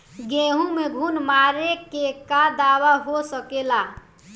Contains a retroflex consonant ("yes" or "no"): no